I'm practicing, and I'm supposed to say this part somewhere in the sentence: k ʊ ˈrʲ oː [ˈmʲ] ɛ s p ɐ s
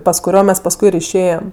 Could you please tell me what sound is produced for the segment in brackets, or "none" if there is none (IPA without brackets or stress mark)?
mʲ